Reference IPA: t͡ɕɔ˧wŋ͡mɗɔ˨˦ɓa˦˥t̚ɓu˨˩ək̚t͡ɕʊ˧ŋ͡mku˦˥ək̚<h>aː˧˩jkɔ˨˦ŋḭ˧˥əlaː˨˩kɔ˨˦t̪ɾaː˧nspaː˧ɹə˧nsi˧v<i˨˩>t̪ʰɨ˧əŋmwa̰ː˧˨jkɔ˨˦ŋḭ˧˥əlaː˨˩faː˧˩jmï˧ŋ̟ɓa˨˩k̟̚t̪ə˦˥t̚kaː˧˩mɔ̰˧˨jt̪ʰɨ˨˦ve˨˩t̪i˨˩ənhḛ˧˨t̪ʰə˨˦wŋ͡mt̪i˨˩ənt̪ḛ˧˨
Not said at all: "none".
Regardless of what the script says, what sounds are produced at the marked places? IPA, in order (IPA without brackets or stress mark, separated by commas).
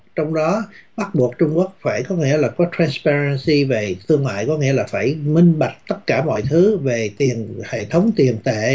f, e˨˩